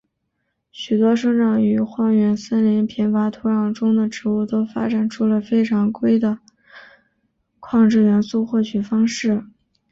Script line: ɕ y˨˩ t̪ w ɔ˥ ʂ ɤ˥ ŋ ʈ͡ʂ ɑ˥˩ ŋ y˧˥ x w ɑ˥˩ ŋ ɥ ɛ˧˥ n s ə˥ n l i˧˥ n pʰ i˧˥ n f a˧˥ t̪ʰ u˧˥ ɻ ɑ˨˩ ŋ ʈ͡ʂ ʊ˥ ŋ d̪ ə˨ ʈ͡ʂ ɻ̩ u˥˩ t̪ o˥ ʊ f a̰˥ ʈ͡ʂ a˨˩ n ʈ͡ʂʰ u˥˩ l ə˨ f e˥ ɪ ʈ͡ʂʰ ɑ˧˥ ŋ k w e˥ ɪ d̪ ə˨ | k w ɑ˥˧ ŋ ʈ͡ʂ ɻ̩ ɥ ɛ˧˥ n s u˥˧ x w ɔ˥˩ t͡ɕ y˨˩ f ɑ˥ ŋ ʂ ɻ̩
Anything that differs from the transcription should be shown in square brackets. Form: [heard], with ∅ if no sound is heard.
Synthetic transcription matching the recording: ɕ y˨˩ t̪ w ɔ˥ ʂ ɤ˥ ŋ ʈ͡ʂ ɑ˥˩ ŋ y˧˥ x w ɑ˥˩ ŋ ɥ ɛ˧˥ n s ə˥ n l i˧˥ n pʰ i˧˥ n f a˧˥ t̪ʰ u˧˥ ɻ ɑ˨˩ ŋ ʈ͡ʂ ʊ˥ ŋ d̪ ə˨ ʈ͡ʂ ɻ̩ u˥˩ t̪ o˥ ʊ f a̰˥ ʈ͡ʂ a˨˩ n ʈ͡ʂʰ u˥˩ l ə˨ f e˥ ɪ ʈ͡ʂʰ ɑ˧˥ ŋ k w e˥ ɪ d̪ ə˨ | [kʰ] w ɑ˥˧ ŋ ʈ͡ʂ ɻ̩ ɥ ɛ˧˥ n s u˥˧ x w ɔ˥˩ [t͡ɕʰ] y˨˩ f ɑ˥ ŋ ʂ ɻ̩

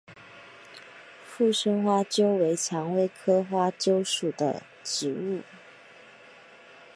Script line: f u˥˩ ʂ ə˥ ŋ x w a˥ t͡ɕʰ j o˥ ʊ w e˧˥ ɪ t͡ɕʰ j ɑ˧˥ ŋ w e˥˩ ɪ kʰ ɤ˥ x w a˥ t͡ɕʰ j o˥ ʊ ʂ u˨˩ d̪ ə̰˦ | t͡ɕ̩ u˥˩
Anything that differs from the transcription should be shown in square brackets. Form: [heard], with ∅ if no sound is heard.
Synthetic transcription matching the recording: f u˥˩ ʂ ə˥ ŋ x w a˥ [t͡ɕ] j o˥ ʊ w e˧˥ ɪ t͡ɕʰ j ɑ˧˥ ŋ w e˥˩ ɪ kʰ ɤ˥ x w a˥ [t͡ɕ] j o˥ ʊ ʂ u˨˩ d̪ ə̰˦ | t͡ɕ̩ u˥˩

